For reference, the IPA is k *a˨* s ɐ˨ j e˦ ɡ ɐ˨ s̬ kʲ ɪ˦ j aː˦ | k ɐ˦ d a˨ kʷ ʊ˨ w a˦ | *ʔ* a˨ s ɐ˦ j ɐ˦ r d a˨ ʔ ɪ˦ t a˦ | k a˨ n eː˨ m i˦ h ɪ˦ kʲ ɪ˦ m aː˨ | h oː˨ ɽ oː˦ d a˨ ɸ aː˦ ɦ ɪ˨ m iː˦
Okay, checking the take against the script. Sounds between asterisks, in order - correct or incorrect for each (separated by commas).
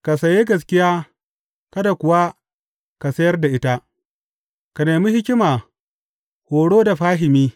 correct, incorrect